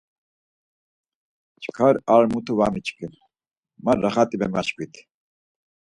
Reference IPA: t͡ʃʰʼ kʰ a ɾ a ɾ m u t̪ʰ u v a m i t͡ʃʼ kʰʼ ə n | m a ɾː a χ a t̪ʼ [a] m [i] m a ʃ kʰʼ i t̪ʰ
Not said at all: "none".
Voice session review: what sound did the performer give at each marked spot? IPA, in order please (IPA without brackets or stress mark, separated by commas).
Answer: i, ɛ